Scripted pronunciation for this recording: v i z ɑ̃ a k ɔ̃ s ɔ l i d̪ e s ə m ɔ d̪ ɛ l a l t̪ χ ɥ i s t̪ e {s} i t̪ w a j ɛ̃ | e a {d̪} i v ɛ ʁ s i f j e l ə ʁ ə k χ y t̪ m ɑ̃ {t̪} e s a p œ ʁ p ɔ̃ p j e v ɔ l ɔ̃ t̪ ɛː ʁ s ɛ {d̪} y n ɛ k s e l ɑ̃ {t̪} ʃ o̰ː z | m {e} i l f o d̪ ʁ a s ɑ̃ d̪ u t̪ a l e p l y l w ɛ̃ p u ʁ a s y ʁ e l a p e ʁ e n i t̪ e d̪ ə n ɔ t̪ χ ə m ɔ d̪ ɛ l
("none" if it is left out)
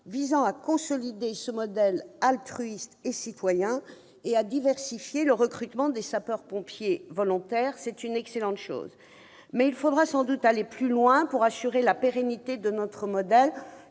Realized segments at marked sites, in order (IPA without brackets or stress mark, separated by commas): s, d̪, d̪, t̪, t̪, ɛ